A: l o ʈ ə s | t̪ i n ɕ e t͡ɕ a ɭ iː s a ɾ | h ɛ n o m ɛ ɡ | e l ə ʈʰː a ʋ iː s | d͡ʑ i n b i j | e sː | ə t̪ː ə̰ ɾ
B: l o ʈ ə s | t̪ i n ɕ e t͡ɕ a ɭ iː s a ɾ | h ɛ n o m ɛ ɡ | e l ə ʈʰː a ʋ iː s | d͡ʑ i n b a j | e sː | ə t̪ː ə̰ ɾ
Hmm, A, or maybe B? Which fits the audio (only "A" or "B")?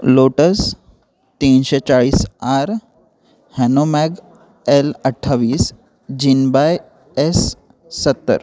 B